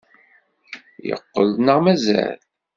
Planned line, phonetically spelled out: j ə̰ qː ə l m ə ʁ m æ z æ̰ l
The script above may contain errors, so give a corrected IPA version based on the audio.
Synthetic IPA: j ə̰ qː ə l n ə ʁ m æ z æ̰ l